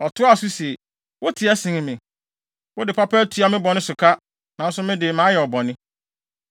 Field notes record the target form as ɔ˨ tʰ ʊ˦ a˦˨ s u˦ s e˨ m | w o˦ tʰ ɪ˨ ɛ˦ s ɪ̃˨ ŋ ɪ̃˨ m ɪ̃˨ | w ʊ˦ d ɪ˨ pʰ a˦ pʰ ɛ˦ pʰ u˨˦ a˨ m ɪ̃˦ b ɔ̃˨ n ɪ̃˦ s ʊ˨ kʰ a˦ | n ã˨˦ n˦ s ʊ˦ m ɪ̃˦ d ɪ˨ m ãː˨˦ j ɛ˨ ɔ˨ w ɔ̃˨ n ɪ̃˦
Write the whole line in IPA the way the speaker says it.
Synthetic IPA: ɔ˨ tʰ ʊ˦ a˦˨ s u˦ s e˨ | w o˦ tʰ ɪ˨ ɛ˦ s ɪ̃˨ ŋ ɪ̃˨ m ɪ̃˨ | w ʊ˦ d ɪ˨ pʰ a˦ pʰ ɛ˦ tʰ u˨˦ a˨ m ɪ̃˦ b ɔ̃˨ n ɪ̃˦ s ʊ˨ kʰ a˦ | n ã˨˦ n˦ s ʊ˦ m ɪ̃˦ d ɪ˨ m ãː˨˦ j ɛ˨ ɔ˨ b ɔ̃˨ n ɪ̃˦